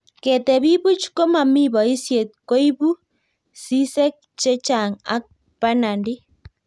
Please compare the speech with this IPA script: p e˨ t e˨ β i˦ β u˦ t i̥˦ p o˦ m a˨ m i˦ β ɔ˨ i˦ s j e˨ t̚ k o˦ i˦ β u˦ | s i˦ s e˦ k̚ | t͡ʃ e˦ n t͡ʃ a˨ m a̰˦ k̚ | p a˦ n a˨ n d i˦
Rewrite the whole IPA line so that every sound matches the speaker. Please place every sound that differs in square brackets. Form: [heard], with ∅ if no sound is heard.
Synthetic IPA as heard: [k] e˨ t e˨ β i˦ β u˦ [t͡ʃ] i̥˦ [k] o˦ m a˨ m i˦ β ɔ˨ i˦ s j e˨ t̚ k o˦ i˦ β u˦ | s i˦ s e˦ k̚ | t͡ʃ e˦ [∅] t͡ʃ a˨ [ŋ] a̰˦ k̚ | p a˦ n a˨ n d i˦

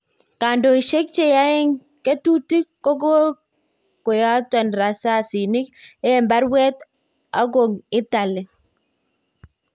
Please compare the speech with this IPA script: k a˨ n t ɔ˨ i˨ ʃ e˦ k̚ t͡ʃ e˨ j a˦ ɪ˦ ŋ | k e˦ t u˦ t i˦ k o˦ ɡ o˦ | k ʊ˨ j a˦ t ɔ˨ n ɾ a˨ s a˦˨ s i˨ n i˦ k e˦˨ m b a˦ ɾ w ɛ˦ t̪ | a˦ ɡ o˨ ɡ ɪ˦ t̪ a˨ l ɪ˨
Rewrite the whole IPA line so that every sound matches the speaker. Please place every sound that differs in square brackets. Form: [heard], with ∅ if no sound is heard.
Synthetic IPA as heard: k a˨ n [d] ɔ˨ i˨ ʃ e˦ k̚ t͡ʃ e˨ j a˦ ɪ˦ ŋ | k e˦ t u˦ t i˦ k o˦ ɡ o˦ | k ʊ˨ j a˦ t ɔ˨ n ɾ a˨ s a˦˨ s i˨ n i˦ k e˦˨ m b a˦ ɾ w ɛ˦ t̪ | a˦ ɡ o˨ [ŋ] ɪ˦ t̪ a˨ l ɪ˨

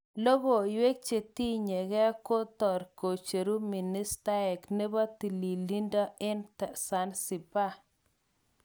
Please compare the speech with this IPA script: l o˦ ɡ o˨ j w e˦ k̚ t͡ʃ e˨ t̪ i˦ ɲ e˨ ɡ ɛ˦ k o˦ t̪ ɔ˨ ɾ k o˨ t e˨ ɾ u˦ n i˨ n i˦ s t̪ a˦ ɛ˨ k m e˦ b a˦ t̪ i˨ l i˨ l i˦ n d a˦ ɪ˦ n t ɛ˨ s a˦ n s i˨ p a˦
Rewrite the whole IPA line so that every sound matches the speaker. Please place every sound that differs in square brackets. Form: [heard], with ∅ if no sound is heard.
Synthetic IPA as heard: l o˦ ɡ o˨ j w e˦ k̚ t͡ʃ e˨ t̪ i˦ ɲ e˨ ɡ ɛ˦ k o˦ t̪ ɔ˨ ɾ k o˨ [t͡ʃ] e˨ ɾ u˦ [m] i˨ n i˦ s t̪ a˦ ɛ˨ k [n] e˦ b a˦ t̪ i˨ l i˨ l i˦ n d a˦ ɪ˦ n t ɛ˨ s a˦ n s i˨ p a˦

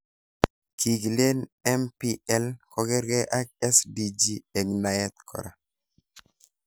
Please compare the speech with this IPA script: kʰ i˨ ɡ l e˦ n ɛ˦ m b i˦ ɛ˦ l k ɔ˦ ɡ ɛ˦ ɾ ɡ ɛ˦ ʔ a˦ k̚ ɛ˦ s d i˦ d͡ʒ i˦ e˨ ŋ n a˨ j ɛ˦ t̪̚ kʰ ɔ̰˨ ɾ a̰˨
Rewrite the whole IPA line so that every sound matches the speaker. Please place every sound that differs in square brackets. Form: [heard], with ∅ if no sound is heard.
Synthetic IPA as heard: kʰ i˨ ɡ l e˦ n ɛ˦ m [p] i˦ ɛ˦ l k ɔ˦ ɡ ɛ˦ ɾ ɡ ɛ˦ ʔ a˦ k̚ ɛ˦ s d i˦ d͡ʒ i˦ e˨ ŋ n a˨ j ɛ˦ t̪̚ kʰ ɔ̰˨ ɾ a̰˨

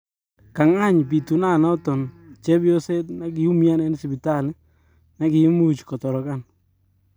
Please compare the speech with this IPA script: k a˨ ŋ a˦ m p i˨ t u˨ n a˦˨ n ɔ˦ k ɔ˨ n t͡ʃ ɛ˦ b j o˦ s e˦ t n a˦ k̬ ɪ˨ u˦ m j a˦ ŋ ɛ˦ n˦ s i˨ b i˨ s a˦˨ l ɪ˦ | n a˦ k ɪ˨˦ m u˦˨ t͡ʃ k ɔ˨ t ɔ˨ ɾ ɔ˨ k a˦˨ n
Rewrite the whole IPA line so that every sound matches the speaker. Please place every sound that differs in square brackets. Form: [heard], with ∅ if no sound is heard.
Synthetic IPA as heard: k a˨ ŋ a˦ [ɲ] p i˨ t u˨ n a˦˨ n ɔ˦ [t] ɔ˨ n t͡ʃ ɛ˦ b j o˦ s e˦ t n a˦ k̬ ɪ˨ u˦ m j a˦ [n] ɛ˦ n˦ s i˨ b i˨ [t] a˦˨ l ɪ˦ | n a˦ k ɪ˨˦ m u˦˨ t͡ʃ k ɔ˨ t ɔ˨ ɾ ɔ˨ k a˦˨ n

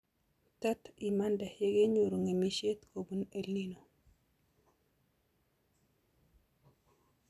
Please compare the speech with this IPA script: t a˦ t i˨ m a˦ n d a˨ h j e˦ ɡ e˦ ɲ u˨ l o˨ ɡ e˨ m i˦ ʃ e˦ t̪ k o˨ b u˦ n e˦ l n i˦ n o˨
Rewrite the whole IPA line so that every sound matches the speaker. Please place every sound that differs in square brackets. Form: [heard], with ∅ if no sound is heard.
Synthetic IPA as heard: t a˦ t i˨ m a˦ n d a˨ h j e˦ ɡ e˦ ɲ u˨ [ɾ] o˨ [ŋ] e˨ m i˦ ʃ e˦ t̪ k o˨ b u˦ n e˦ l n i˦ n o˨

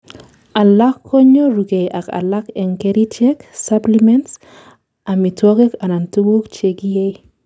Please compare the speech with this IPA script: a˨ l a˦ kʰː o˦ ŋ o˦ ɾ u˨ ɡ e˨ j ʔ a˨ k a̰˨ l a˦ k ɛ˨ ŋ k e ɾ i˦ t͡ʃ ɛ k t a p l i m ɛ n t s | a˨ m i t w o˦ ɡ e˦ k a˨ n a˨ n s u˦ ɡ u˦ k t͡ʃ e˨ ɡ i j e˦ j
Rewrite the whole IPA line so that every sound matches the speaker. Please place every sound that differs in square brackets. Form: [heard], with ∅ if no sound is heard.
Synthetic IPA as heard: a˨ l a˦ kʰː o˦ [ɲ] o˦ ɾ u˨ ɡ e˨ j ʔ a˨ k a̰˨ l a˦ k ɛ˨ ŋ k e ɾ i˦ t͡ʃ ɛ k [s] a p l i m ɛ n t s | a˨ m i t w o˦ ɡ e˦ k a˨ n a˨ n [t] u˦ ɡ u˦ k t͡ʃ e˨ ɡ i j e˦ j

